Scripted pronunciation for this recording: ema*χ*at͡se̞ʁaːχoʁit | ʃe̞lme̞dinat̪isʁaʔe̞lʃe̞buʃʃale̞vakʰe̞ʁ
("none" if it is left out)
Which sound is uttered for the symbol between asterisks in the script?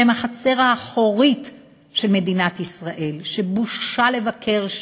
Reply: χ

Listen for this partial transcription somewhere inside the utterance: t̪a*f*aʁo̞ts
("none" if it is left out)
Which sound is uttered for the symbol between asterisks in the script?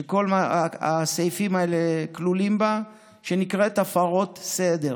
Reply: f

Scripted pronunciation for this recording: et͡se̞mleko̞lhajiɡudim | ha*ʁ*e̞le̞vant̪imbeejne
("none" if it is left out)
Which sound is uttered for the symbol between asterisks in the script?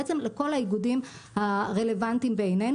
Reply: ʁ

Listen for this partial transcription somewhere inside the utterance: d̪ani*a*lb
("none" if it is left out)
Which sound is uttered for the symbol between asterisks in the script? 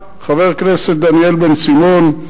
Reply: e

